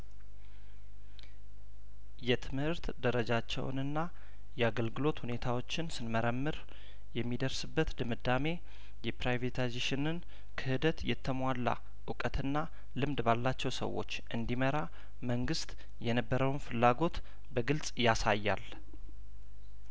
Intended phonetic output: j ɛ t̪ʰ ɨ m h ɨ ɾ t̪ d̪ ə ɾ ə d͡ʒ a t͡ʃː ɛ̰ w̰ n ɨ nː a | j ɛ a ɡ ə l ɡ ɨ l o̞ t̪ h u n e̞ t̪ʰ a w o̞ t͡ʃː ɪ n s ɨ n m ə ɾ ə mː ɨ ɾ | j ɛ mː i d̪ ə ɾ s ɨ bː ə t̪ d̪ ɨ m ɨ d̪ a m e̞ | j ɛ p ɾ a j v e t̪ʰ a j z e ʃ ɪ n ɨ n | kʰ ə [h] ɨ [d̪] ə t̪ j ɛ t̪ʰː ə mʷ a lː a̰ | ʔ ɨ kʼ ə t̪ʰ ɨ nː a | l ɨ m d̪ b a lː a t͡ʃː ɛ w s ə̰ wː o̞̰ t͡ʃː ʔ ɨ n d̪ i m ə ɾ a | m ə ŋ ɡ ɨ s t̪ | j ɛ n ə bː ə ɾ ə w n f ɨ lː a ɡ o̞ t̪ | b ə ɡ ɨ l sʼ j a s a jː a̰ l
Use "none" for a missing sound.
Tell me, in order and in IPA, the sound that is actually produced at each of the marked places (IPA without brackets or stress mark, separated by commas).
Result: h, d̪